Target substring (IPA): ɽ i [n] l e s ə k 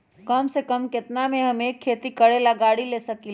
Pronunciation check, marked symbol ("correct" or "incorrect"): incorrect